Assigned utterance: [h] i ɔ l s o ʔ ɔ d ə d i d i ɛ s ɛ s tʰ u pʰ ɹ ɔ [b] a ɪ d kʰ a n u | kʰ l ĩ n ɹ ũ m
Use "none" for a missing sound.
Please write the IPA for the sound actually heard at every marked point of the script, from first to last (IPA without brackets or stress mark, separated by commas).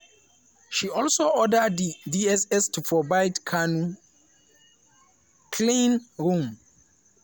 ʃ, b